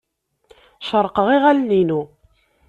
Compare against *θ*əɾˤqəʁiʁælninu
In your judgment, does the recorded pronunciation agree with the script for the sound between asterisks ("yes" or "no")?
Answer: no